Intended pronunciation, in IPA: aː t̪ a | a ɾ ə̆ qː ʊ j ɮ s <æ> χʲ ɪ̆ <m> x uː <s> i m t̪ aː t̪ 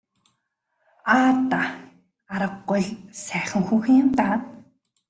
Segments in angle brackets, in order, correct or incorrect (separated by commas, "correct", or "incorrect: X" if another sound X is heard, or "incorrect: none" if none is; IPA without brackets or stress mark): incorrect: æː, incorrect: ŋ, incorrect: x